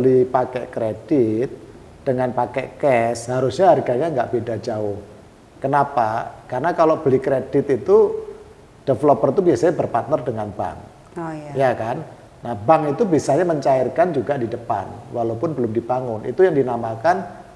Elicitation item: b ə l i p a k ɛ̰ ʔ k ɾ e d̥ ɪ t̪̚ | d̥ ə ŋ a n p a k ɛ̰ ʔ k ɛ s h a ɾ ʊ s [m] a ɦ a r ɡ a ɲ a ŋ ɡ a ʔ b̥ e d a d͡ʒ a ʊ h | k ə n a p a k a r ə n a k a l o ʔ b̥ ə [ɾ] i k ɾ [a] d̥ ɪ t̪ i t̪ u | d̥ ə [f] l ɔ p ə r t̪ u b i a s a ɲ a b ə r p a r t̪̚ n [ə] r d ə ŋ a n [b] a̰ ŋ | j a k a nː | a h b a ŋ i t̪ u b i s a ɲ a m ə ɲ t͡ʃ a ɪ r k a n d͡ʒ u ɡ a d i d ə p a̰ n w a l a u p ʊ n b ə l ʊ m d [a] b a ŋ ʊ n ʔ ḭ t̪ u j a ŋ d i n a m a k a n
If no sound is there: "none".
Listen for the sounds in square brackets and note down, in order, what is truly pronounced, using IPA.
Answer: ɲ, l, e, f, ə, b, i

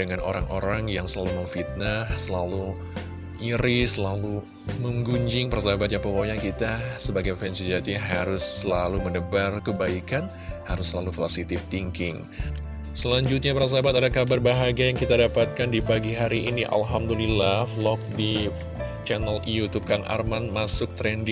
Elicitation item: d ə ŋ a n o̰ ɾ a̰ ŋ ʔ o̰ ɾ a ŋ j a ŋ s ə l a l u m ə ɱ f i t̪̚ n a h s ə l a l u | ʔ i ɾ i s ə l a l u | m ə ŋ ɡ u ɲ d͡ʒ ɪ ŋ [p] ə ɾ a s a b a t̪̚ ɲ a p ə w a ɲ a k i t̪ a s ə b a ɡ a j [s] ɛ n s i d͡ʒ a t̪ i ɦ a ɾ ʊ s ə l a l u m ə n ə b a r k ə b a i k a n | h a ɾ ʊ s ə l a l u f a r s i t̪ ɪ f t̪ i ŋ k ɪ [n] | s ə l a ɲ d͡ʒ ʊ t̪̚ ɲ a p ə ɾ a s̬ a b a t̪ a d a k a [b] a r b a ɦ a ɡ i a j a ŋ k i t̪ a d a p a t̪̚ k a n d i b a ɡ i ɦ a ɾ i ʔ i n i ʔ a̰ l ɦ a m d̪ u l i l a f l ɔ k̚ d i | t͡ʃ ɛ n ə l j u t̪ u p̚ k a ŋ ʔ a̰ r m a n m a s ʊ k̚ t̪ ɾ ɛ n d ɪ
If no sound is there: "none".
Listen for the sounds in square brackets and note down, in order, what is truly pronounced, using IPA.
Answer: p, f, ŋ, b

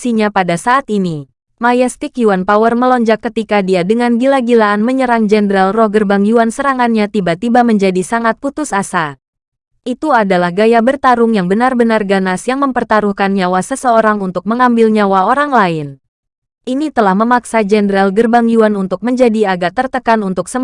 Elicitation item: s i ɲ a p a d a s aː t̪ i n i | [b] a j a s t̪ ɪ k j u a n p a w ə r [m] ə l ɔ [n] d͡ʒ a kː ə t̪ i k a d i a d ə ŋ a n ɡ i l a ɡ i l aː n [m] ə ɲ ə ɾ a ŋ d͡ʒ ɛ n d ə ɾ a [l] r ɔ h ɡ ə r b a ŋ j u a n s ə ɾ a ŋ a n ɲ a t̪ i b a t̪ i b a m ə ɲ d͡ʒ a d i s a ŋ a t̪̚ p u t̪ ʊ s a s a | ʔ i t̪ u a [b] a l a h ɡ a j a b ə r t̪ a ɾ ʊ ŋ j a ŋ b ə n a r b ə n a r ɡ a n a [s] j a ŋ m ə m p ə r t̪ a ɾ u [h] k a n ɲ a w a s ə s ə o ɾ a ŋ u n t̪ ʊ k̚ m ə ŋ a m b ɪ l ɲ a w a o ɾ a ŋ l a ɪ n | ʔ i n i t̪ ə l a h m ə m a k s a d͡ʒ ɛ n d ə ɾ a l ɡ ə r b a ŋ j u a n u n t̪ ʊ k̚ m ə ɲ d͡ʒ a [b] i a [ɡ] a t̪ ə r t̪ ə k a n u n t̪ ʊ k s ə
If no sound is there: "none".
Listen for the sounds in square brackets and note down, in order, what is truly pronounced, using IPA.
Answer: m, m, ɲ, m, l, d, s, h, d, ɡ

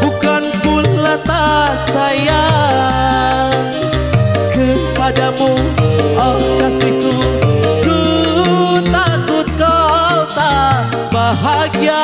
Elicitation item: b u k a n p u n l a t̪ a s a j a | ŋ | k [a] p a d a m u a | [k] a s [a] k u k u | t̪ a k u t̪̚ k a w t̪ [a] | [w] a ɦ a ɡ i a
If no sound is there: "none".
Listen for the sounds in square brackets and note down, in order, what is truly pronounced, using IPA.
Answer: ə, k, i, a, b

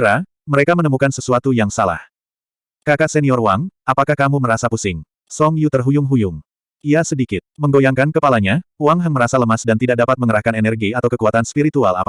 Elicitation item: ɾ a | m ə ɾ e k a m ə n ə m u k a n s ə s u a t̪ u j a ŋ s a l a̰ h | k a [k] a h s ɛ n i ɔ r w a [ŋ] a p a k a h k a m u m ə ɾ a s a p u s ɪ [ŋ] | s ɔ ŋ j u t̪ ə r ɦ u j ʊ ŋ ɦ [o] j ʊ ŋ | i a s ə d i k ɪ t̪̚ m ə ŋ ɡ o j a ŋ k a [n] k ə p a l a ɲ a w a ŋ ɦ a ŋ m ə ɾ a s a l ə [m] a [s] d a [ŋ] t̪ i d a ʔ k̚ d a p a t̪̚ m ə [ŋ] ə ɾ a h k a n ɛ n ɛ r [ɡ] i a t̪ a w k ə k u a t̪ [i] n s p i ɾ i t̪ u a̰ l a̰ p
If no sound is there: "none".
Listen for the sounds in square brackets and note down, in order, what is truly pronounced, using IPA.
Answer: k, ŋ, ŋ, u, n, m, s, n, ŋ, ɡ, a

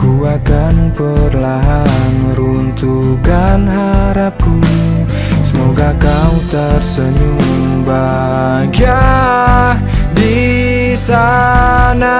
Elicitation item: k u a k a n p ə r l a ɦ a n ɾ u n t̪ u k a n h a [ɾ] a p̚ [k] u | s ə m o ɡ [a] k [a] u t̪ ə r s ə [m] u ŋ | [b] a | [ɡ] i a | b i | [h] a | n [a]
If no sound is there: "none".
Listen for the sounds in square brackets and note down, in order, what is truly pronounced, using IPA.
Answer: ɾ, k, a, a, ɲ, b, ɡ, s, a

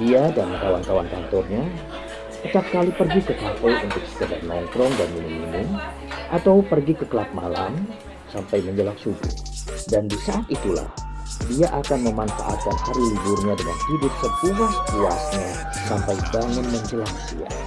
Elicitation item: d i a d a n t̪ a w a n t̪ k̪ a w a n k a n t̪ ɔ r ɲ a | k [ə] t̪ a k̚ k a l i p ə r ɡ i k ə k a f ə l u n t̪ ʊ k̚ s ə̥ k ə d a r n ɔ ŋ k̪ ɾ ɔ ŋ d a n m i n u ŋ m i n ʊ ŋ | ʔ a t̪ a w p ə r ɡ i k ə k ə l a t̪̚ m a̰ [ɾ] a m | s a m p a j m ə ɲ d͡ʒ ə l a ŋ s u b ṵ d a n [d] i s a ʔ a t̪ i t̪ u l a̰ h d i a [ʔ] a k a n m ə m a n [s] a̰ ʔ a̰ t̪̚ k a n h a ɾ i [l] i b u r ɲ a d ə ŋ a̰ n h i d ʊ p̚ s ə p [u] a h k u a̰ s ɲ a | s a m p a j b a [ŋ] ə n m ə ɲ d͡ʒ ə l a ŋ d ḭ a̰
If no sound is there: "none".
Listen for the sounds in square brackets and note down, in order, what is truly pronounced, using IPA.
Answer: ə, l, d, ʔ, f, l, u, ŋ

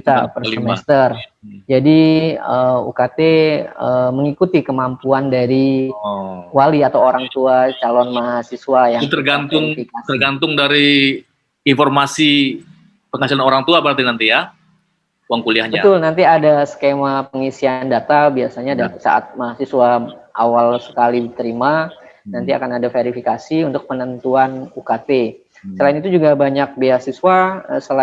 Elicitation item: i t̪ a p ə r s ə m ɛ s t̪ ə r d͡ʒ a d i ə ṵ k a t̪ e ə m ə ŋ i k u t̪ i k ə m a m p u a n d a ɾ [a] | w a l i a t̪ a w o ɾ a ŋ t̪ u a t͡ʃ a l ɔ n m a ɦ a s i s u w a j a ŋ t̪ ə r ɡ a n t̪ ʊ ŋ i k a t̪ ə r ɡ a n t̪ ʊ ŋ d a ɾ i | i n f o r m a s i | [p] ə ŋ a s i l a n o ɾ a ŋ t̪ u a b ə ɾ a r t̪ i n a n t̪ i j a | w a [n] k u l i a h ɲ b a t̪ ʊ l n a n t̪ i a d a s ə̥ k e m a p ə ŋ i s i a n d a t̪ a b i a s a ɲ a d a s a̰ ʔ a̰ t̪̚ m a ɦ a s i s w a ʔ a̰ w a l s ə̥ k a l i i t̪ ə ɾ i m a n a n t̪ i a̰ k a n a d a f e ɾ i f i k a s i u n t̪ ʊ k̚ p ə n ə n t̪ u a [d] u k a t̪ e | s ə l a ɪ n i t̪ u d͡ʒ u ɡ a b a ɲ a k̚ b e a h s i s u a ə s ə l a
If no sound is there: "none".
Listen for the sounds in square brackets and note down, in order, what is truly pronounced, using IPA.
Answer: i, p, ŋ, n

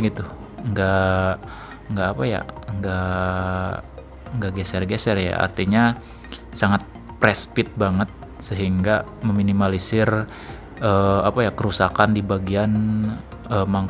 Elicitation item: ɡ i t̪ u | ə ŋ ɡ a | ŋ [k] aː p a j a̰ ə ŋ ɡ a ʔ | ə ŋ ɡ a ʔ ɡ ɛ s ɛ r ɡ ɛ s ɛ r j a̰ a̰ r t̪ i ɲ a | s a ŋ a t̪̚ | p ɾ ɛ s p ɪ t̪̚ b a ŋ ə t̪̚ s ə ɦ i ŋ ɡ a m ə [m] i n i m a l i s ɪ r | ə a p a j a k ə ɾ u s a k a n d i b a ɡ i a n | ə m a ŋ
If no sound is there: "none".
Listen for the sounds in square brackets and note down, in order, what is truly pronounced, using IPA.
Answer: ɡ, m

